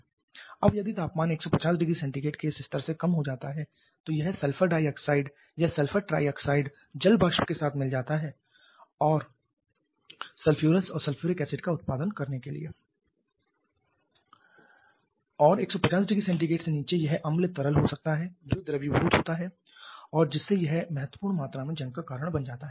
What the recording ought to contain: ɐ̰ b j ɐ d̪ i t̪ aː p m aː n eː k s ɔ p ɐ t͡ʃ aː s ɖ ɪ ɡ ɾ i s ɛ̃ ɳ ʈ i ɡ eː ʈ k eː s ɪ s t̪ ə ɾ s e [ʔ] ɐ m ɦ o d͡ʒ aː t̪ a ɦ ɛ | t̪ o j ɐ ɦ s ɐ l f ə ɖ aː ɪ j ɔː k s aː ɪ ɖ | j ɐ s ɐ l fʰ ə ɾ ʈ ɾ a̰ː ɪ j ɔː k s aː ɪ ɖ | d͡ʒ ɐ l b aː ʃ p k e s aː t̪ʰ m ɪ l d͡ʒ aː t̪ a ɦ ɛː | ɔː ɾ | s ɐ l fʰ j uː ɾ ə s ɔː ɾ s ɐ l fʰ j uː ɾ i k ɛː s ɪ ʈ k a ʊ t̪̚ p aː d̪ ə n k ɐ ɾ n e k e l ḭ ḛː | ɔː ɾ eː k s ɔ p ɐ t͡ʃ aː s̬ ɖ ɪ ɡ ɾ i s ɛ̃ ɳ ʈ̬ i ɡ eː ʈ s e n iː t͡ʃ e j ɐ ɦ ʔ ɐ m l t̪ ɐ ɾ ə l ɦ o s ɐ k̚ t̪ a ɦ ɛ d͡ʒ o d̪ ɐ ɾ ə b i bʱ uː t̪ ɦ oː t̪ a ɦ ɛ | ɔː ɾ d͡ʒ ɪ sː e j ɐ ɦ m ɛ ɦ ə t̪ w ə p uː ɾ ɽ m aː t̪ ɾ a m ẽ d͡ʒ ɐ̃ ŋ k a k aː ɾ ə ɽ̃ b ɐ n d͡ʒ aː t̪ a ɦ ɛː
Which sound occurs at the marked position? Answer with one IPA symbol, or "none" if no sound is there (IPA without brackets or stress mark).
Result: k